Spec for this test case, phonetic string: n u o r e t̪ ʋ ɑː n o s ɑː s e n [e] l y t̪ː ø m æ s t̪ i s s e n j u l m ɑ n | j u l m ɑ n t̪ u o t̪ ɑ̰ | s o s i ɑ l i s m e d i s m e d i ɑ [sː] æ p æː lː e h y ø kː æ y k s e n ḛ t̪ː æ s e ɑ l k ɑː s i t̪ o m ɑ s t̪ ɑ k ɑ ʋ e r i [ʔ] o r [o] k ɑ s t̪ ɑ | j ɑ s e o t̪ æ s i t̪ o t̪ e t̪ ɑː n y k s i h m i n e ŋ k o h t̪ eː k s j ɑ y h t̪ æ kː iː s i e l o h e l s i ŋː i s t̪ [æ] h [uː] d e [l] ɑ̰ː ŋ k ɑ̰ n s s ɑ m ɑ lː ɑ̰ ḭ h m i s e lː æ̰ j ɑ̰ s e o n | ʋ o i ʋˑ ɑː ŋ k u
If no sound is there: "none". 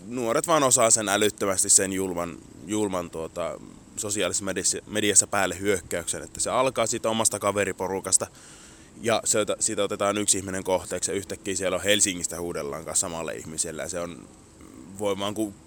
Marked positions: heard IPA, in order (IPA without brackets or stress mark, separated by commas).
æ, sː, p, u, æ, uː, lː